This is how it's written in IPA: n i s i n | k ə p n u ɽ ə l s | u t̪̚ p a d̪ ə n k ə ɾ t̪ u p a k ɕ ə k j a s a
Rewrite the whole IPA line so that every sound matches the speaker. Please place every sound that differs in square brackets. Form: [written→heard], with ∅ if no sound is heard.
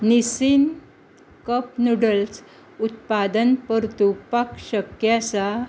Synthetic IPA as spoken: n i s i n | k ə p n u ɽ ə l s | u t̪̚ p a d̪ ə n [k→p] ə ɾ t̪ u p a k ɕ ə k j a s a